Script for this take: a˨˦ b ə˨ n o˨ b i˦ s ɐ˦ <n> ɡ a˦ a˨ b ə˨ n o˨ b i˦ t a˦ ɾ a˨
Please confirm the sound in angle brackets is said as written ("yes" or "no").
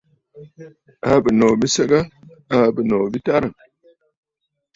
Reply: no